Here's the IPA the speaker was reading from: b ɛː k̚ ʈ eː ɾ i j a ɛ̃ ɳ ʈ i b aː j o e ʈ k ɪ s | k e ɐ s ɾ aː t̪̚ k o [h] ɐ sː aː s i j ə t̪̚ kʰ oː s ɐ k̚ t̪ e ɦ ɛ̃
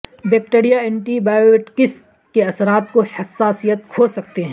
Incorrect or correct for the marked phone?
correct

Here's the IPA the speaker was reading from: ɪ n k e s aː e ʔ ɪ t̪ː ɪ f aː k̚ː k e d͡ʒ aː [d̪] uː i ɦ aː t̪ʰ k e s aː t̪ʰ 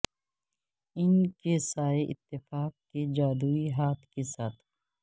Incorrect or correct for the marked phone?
correct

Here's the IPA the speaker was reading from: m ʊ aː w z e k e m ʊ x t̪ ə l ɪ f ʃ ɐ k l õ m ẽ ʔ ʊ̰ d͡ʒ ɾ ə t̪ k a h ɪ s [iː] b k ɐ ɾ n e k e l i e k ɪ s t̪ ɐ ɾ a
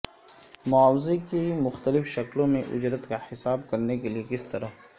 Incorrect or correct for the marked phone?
incorrect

